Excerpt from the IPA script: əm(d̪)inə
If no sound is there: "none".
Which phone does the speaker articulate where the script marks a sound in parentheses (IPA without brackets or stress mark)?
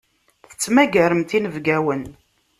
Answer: t̪